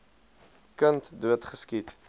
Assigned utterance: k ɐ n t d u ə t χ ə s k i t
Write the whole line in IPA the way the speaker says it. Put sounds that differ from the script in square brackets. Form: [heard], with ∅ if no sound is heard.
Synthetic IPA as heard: k [ə] n t d u ə t χ ə s k i t